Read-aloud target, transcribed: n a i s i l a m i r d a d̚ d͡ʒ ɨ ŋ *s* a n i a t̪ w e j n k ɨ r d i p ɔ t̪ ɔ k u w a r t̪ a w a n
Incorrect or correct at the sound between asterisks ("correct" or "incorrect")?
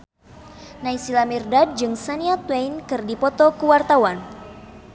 correct